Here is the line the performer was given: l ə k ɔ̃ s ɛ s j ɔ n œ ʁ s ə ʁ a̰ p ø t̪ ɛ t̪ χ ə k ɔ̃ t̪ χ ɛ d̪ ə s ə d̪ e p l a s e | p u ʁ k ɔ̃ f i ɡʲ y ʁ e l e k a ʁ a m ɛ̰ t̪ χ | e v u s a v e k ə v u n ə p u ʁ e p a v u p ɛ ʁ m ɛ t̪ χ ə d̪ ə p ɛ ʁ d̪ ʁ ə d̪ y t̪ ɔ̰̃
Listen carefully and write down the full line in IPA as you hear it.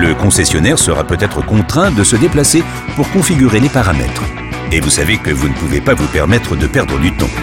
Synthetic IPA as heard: l ə k ɔ̃ s ɛ s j ɔ n ɛ ʁ s ə ʁ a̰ p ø t̪ ɛ t̪ χ ə k ɔ̃ t̪ χ ɛ̃ d̪ ə s ə d̪ e p l a s e | p u ʁ k ɔ̃ f i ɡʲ y ʁ e l e p a ʁ a m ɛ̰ t̪ χ | e v u s a v e k ə v u n ə p u v e p a v u p ɛ ʁ m ɛ t̪ χ ə d̪ ə p ɛ ʁ d̪ ʁ ə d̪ y t̪ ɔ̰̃